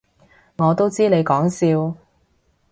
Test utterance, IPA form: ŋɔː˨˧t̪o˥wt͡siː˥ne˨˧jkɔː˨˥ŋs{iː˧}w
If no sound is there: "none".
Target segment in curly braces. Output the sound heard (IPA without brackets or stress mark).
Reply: iː˧